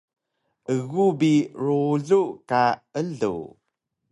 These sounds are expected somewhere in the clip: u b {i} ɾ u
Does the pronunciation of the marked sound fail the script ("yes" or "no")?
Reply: no